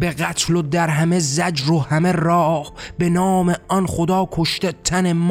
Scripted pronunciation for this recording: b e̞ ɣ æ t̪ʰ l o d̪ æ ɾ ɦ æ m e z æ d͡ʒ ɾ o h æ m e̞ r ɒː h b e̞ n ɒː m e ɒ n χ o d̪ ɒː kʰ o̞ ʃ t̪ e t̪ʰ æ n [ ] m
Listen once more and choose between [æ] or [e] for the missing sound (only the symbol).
e